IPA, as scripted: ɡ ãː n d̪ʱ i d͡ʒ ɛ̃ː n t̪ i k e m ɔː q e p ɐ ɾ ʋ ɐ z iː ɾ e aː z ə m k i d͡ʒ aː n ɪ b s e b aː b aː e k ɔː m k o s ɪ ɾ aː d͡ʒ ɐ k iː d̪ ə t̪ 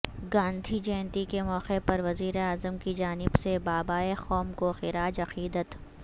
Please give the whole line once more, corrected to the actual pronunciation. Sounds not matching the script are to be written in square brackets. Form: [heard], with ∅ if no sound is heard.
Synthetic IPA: ɡ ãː n d̪ʱ i d͡ʒ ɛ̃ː n t̪ i k e m ɔː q e p ɐ ɾ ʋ ɐ z iː ɾ e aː z ə m k i d͡ʒ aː n ɪ b s e b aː b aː e [x] ɔː m k o [x] ɪ ɾ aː d͡ʒ ɐ [q] iː d̪ ə t̪